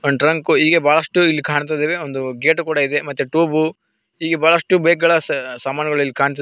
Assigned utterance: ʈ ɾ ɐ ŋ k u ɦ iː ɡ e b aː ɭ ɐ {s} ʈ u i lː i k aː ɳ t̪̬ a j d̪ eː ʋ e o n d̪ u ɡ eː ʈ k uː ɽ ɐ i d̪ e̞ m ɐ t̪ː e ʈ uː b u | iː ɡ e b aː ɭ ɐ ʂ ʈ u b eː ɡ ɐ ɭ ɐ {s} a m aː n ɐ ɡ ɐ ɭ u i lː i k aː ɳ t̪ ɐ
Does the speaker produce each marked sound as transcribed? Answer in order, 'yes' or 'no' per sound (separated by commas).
no, yes